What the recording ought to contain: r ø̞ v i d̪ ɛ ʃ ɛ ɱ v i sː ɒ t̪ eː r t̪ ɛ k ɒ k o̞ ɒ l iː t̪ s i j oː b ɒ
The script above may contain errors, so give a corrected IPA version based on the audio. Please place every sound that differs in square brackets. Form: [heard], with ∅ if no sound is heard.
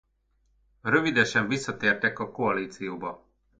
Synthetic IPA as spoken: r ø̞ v i d̪ ɛ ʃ ɛ ɱ v i sː ɒ t̪ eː r t̪ ɛ k ɒ k o̞ ɒ l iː t̪ s i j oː b ɒ

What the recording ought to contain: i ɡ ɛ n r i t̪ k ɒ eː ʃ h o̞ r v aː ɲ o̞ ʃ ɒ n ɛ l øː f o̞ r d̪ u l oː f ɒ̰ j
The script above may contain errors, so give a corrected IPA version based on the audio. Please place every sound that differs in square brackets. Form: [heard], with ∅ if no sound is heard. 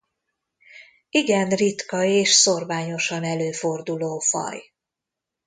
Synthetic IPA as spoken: i ɡ ɛ n r i t̪ k ɒ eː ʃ [s] o̞ r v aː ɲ o̞ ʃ ɒ n ɛ l øː f o̞ r d̪ u l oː f ɒ̰ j

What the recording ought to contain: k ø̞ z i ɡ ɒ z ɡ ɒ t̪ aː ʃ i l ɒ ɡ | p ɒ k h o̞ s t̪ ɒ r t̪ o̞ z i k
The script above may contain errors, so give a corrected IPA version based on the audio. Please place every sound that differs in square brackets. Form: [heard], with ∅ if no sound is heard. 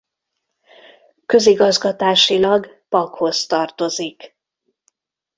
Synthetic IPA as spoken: k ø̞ z i ɡ ɒ z ɡ ɒ t̪ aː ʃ i l ɒ ɡ | p ɒ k h o̞ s t̪ ɒ r t̪ o̞ z i k

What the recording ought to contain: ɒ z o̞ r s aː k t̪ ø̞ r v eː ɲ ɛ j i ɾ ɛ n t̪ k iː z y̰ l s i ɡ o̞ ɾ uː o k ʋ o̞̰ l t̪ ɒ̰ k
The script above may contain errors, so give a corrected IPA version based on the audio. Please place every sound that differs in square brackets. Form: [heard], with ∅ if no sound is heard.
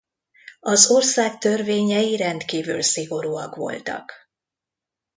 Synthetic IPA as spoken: ɒ z o̞ r s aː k t̪ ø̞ r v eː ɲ ɛ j i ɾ ɛ n t̪ k iː [v] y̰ l s i ɡ o̞ ɾ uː [ɒ] k ʋ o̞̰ l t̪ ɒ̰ k

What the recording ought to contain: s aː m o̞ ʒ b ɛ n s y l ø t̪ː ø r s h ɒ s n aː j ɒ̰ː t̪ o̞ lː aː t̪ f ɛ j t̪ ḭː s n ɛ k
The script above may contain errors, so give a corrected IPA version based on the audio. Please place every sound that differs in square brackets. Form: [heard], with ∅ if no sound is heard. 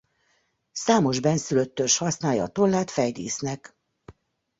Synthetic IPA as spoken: s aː m o̞ ʒ b ɛ n s y l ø t̪ː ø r [ʃ] h ɒ s n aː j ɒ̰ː t̪ o̞ lː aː t̪ f ɛ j [d̪] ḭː s n ɛ k

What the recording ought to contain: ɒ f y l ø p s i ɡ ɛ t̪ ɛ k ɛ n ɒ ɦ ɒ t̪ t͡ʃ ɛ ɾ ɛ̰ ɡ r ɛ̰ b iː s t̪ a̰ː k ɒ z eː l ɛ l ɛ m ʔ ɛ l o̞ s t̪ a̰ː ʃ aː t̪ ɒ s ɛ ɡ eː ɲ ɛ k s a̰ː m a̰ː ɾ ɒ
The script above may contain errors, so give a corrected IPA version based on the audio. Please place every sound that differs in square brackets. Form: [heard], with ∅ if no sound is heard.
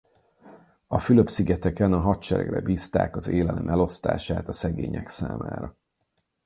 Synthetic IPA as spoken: ɒ f y l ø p s i ɡ ɛ t̪ ɛ k ɛ n ɒ ɦ ɒ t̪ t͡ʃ ɛ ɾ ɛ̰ ɡ r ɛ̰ b iː s t̪ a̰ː k ɒ z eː l ɛ l ɛ m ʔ ɛ l o̞ s t̪ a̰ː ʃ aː t̪ ɒ s ɛ ɡ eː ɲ ɛ k s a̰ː m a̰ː ɾ ɒ

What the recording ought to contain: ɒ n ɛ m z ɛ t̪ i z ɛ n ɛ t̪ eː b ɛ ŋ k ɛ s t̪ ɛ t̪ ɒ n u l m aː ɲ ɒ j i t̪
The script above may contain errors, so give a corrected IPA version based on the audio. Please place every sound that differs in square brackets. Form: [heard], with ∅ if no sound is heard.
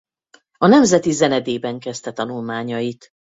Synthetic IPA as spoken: ɒ n ɛ m z ɛ t̪ i z ɛ n ɛ [d̪] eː b ɛ ŋ k ɛ s t̪ ɛ t̪ ɒ n u l m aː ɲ ɒ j i t̪

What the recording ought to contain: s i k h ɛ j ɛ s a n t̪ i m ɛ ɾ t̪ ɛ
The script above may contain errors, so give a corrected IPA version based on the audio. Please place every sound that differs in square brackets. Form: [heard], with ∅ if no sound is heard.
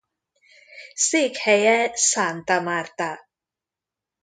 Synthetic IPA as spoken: s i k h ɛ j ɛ s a n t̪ [a] m [a] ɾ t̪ [a]

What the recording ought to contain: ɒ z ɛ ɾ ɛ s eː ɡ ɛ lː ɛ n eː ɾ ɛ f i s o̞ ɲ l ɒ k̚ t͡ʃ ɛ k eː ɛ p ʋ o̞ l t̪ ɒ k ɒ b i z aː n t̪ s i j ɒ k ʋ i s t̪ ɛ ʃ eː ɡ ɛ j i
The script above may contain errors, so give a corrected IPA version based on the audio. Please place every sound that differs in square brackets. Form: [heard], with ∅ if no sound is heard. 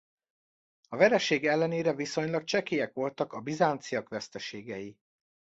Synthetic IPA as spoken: ɒ [v] ɛ ɾ ɛ [ʃ] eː ɡ ɛ lː ɛ n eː ɾ ɛ [v] i s o̞ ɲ l ɒ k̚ t͡ʃ ɛ k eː ɛ [k] ʋ o̞ l t̪ ɒ k ɒ b i z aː n t̪ s i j ɒ k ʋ [ɛ] s t̪ ɛ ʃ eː ɡ ɛ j i

